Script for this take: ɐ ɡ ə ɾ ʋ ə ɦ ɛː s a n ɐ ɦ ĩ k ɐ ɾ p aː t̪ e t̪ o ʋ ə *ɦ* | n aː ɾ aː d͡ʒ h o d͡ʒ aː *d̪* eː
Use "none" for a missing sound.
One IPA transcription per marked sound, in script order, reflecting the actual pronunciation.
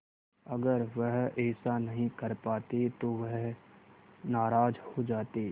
ɦ, t̪

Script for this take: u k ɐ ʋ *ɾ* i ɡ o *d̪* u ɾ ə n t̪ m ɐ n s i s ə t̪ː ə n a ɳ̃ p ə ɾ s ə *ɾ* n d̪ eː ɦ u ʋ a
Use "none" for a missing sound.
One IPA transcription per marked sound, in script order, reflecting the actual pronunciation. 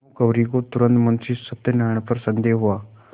ɾ, t̪, none

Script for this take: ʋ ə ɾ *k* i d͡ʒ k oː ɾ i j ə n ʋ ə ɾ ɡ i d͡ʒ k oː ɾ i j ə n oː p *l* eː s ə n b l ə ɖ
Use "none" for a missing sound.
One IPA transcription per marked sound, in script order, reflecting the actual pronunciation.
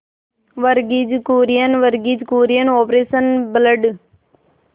ɡ, ɾ

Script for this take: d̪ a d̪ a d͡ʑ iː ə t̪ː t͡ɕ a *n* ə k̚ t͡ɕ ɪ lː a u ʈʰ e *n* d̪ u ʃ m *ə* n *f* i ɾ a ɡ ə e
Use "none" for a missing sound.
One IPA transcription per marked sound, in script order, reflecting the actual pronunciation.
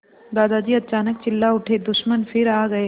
n, none, ə, f

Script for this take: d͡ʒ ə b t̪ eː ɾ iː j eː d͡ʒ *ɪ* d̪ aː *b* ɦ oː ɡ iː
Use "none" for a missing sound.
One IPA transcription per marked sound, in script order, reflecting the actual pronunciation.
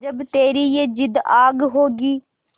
ɪ, ɡ

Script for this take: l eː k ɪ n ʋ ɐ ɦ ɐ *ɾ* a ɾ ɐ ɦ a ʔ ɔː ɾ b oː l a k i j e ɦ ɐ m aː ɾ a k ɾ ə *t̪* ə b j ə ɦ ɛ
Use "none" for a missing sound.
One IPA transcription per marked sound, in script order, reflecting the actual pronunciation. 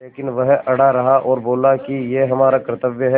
ɽ, t̪

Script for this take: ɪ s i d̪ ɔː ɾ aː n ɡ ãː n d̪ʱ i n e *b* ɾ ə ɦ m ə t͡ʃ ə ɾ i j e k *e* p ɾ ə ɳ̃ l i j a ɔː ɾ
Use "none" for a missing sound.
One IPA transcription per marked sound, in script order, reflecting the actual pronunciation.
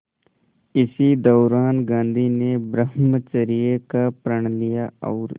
b, a

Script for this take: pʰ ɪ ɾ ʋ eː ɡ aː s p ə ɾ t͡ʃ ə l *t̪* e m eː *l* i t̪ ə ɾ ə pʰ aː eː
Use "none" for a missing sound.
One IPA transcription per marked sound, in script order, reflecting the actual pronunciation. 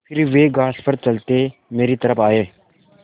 t̪, ɾ

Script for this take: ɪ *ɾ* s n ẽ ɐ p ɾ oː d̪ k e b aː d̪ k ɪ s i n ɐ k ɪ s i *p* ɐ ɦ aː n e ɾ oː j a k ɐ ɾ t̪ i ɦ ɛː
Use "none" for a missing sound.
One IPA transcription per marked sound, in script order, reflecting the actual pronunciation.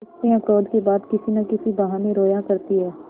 none, b

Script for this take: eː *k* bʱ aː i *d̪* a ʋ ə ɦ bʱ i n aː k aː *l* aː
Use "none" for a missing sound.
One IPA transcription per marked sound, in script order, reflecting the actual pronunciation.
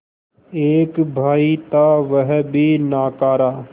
k, t̪, ɾ

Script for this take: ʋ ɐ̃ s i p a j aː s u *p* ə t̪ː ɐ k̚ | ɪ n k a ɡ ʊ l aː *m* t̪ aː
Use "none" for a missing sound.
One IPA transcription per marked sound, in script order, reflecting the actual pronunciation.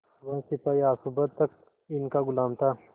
b, m

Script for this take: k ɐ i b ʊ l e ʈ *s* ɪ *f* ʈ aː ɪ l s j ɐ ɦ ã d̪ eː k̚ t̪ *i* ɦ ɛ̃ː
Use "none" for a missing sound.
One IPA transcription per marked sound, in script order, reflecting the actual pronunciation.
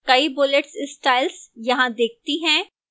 s, s, i

